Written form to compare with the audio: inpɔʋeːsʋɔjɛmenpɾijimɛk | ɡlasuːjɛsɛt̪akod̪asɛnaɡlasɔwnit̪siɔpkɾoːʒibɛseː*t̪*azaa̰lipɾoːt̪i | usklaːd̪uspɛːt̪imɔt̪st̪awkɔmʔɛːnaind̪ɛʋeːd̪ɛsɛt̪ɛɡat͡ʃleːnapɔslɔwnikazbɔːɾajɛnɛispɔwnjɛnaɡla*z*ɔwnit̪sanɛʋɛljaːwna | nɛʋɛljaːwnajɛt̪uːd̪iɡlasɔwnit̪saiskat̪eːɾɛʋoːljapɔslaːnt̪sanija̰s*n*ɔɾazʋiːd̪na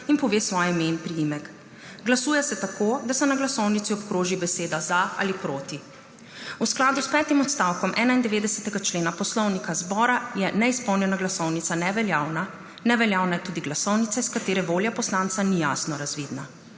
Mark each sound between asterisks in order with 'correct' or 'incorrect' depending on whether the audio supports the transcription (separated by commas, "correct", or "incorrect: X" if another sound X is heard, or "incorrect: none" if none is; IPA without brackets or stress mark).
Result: incorrect: d̪, incorrect: s, correct